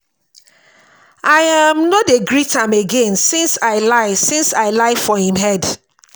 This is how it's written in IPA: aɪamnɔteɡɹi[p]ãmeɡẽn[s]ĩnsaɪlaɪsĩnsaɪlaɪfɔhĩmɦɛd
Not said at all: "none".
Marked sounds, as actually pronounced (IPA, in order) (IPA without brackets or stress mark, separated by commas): t, s